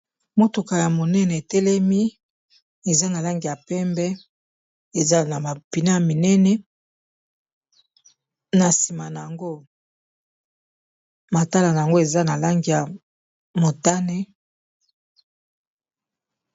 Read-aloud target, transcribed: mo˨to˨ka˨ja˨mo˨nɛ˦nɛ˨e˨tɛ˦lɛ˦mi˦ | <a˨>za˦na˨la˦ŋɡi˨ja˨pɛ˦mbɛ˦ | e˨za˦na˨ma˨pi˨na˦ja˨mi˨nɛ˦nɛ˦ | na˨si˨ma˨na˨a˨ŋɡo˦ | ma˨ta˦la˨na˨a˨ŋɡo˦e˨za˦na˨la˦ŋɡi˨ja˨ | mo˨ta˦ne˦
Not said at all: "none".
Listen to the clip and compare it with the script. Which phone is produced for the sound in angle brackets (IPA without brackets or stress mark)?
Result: e˨